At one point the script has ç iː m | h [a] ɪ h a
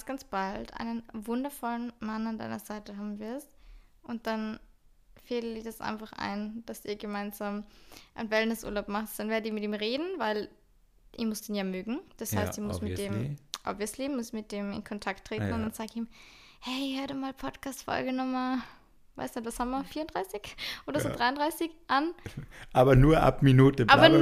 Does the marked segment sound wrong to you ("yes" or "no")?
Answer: yes